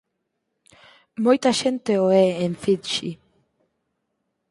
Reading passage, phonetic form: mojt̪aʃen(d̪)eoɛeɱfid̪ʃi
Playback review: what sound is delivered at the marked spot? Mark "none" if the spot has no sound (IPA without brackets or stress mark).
t̪